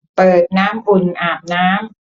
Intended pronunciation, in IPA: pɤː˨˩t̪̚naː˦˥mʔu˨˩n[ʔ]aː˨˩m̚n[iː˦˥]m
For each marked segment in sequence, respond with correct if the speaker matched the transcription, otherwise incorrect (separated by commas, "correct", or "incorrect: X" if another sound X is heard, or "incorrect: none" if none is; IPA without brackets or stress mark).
correct, incorrect: aː˦˥